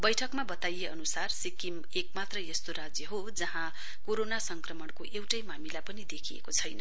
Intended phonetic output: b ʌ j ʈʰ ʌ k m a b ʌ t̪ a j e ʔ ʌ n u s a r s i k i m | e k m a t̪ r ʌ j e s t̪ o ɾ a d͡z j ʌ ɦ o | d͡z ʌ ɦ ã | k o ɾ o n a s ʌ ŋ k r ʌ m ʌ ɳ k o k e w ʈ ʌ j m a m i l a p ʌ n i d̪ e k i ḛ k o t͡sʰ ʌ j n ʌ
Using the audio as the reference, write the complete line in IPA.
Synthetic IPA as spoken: b ʌ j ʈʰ ʌ k m a b ʌ t̪ a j e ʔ ʌ n u s a r s i k i m | e k m a t̪ r ʌ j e s t̪ o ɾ a d͡z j ʌ ɦ o | d͡z ʌ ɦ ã | k o ɾ o n a s ʌ ŋ k r ʌ m ʌ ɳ k o ʔ e w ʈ ʌ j m a m i l a p ʌ n i d̪ e kʰ i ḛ k o t͡sʰ ʌ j n ʌ